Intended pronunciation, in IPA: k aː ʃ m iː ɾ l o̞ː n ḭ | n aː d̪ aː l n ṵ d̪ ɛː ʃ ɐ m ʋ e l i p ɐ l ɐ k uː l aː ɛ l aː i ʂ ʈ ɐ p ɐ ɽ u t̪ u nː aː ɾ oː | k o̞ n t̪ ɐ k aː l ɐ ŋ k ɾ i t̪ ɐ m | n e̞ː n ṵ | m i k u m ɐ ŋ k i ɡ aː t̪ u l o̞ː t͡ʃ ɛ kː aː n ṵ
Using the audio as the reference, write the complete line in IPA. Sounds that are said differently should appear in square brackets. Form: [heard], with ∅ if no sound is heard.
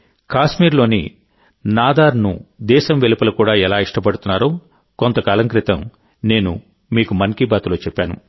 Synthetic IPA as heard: k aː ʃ m iː ɾ l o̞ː n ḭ | n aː d̪ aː [ɾ] n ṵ d̪ ɛː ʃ ɐ m ʋ e l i p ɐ l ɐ k uː [ɽ] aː ɛ l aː i ʂ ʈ ɐ p ɐ ɽ u t̪ u nː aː ɾ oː | k o̞ n t̪ ɐ k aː l ɐ ŋ k ɾ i t̪ ɐ m | n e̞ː n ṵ | m [iː] k u m ɐ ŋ k i [b] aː t̪ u l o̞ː t͡ʃ ɛ [pː] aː n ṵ